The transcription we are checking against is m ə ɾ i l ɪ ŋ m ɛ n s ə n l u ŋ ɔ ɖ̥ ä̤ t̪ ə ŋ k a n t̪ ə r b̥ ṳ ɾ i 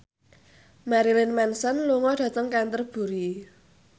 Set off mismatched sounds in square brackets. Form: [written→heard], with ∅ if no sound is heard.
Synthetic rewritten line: m [ə→a] ɾ i l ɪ [ŋ→n] m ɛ n s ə n l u ŋ ɔ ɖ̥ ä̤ t̪ ə ŋ k a n t̪ ə r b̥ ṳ ɾ i